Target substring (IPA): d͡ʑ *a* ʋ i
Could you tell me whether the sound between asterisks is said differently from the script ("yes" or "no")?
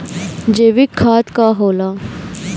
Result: yes